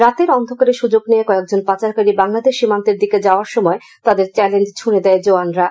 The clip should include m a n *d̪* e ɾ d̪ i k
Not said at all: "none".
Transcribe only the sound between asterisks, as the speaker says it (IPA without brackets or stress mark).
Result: t̪